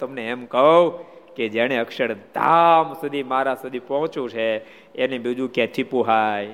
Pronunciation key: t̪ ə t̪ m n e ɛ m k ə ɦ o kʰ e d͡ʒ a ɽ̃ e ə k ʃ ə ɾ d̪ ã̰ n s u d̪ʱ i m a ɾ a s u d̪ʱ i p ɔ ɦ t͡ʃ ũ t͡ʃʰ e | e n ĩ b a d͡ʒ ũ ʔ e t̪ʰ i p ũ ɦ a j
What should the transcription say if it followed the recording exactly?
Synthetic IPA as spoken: t̪ ə m n e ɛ m k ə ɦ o k e d͡ʒ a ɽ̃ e ə k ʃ ə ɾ d̪ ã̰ m s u d̪ʱ i m a ɾ a s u d̪ʱ i p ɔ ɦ t͡ʃ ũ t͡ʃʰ e | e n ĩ b i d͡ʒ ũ k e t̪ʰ i p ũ ɦ a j